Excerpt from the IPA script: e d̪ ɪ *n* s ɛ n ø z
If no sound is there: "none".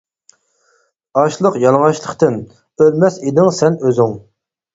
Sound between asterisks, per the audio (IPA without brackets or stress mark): ŋ